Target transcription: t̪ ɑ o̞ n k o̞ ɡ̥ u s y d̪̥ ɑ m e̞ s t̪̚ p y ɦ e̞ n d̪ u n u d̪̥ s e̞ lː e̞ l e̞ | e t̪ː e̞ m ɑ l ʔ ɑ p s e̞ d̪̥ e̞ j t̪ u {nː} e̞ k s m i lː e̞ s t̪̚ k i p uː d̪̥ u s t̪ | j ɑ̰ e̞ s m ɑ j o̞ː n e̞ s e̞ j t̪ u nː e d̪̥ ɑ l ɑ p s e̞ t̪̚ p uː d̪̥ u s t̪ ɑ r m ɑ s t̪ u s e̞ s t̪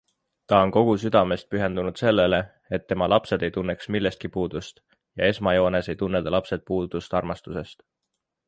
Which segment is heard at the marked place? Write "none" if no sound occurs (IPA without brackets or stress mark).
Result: nː